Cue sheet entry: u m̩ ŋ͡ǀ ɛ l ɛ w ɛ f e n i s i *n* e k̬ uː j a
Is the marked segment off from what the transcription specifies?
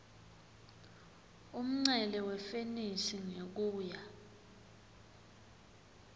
yes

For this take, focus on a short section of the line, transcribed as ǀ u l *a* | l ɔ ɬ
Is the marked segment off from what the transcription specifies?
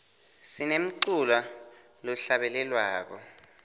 no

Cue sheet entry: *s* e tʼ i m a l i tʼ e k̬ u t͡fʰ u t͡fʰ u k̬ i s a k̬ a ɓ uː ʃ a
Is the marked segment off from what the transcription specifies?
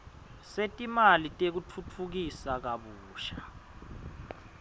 no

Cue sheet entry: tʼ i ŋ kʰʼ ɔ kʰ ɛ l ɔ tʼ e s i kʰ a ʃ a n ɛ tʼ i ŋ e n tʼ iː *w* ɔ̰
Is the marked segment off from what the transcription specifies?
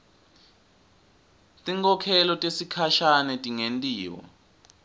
no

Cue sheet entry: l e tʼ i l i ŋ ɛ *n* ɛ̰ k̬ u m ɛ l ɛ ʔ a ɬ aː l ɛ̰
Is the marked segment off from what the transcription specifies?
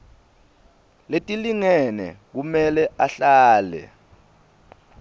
no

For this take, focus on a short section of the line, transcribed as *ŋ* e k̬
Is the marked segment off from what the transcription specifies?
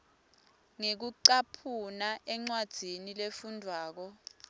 no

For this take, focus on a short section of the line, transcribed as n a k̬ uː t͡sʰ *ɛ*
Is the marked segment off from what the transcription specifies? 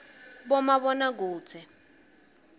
no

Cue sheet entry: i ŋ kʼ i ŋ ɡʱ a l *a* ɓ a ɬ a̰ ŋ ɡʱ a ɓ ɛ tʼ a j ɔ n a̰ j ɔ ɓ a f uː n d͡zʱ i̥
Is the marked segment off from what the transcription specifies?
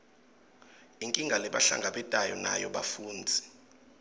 yes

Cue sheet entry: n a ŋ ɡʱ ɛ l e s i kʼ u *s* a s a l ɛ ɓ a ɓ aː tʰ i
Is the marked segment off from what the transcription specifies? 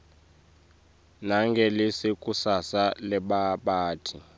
no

